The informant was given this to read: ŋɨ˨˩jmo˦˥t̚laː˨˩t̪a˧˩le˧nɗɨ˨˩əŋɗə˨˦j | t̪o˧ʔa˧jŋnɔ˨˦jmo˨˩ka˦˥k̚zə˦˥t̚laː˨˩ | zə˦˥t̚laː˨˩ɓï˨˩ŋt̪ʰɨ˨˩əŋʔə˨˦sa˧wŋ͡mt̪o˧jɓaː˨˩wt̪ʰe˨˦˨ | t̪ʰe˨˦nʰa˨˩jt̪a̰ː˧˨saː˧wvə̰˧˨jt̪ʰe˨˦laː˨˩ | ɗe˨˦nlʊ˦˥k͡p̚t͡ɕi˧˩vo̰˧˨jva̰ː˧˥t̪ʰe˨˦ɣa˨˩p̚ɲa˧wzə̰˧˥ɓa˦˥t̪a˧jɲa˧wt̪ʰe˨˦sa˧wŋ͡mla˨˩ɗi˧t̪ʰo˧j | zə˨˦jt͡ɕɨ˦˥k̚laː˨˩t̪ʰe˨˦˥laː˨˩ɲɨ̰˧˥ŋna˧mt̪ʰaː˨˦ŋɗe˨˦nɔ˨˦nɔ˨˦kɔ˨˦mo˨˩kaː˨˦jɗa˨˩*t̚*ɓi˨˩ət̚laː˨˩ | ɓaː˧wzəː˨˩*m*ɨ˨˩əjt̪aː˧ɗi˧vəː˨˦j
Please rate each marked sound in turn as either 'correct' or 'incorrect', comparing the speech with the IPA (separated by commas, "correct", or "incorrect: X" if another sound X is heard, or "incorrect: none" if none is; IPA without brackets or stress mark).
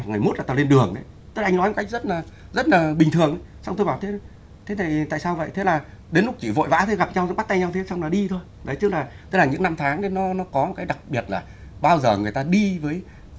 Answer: incorrect: k̚, incorrect: ŋ